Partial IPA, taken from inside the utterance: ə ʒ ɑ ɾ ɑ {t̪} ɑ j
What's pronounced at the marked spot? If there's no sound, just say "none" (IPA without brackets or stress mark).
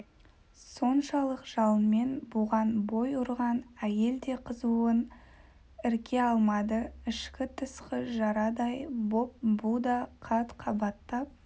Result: d̪